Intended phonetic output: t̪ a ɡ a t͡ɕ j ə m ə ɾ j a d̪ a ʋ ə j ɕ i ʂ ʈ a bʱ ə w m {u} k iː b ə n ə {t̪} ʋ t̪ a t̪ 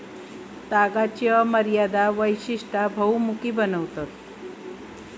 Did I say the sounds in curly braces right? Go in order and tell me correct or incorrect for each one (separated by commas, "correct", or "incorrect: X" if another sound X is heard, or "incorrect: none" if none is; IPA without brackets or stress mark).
correct, incorrect: none